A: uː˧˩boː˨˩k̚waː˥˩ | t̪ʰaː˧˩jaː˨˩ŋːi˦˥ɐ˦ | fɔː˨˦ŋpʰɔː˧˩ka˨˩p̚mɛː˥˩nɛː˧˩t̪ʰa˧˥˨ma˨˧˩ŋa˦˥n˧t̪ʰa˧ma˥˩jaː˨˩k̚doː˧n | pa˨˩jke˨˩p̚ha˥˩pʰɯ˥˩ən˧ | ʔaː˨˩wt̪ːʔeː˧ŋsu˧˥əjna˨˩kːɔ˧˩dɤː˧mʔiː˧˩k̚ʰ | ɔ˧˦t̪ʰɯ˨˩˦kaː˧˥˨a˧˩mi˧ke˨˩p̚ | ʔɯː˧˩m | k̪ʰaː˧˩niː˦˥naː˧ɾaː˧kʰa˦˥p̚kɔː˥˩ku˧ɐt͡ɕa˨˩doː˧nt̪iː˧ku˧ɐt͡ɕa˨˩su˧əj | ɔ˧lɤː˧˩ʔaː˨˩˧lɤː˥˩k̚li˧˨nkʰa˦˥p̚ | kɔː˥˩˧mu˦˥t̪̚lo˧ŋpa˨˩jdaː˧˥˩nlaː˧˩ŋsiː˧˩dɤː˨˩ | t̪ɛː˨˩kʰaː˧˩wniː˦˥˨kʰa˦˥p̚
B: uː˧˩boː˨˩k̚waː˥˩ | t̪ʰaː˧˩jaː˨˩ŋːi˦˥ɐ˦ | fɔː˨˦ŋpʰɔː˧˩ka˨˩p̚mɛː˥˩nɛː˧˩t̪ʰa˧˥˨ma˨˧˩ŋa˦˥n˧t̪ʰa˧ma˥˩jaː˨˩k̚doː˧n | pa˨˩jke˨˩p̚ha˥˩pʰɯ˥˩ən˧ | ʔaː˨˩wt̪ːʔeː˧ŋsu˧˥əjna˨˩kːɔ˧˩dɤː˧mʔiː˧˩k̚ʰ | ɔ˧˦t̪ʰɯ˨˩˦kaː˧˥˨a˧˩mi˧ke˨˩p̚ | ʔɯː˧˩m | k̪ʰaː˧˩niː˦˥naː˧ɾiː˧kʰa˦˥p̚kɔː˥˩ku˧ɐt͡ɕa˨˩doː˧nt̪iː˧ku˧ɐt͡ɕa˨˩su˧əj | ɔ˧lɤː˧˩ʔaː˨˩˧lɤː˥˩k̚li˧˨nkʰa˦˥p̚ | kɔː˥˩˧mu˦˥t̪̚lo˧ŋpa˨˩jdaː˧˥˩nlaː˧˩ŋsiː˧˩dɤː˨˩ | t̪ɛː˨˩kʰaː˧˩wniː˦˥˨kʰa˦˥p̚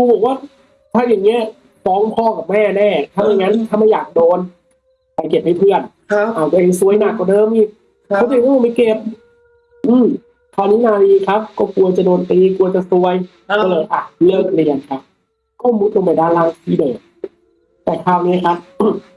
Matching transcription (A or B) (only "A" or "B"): B